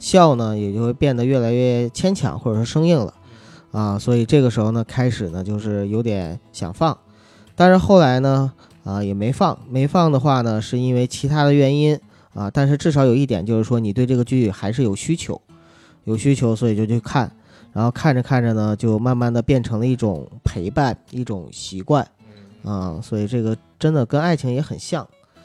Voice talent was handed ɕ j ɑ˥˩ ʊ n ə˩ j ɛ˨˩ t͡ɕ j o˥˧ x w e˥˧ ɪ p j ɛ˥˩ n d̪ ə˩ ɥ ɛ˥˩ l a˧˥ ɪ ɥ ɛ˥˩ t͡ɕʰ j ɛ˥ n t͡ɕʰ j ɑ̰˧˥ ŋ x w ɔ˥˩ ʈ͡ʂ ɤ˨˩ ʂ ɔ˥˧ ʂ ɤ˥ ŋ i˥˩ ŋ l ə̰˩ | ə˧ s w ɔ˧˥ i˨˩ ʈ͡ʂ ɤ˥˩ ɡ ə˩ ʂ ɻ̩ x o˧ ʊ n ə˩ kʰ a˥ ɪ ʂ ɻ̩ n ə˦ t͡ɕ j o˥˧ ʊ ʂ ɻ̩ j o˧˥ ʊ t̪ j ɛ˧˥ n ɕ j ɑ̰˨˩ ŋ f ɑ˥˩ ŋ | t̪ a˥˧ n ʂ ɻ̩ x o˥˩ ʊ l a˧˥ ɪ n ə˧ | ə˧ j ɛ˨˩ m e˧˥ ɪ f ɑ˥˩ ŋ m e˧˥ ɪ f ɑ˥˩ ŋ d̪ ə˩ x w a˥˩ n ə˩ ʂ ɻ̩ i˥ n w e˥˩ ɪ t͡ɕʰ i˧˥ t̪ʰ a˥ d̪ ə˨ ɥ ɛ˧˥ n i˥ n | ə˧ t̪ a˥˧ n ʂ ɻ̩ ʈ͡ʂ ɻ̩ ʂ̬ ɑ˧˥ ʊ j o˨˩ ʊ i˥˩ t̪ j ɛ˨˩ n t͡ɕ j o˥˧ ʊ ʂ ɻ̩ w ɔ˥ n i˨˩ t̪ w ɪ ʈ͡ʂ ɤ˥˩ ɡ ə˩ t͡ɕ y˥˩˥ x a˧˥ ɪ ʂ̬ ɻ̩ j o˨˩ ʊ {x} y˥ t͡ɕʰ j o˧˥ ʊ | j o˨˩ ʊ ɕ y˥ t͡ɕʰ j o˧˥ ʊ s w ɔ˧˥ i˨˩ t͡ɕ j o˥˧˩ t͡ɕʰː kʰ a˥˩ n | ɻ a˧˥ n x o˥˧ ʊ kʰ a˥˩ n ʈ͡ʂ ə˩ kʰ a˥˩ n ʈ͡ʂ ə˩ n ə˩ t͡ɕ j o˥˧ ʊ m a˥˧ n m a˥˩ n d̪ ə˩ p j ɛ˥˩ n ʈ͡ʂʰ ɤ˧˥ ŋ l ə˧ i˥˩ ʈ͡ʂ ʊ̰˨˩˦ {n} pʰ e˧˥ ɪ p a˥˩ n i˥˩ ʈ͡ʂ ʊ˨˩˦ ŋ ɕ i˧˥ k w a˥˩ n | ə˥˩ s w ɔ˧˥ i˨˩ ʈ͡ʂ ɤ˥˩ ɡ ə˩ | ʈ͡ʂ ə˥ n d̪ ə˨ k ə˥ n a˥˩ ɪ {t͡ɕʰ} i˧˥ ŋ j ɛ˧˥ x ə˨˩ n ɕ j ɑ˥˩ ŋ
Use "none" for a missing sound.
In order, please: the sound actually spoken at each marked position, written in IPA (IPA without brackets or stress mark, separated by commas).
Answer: ɕ, ŋ, t͡ɕʰ